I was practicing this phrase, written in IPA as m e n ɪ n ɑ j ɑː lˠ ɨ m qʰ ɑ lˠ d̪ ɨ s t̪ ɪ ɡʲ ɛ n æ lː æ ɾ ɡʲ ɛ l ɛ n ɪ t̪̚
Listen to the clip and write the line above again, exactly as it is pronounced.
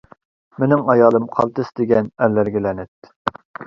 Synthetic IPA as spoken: m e n ɪ ŋ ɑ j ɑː lˠ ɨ m qʰ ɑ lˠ t̪ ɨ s d̪ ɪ ɡʲ ɛ n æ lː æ ɾ ɡʲ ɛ l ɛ n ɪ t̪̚